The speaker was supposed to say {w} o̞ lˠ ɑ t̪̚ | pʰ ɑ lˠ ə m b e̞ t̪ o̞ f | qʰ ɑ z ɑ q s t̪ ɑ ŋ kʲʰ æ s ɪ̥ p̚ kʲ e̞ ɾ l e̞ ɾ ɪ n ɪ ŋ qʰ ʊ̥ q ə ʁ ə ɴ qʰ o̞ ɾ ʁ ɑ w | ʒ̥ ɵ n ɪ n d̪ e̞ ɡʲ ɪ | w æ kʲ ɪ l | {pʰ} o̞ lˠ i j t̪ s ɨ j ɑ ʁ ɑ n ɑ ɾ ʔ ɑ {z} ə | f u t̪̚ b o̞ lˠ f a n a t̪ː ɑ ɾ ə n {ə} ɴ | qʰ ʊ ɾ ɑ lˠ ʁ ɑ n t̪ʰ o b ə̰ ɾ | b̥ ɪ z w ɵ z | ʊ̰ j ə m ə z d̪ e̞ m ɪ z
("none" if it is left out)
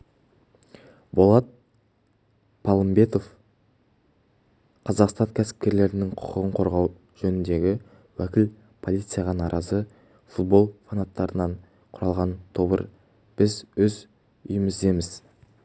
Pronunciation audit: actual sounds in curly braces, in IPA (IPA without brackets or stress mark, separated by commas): b, pʰ, z, ɑ